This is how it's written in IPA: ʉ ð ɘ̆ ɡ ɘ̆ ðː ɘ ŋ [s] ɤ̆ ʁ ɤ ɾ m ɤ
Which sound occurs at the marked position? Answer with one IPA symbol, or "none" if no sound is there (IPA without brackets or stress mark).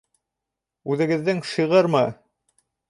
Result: ʃ